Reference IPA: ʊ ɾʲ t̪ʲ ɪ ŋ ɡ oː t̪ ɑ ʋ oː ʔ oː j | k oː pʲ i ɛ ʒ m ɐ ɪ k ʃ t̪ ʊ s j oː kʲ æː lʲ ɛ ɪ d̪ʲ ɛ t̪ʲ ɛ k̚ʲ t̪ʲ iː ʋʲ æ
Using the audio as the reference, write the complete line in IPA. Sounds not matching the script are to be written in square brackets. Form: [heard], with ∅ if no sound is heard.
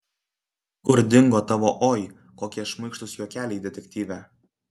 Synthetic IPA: ʊ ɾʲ [d̪ʲ] ɪ ŋ ɡ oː t̪ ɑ ʋ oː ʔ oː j | k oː [kʲ] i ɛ [ʃ] m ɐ ɪ k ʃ t̪ ʊ s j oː kʲ æː lʲ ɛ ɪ d̪ʲ ɛ t̪ʲ ɛ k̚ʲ t̪ʲ iː ʋʲ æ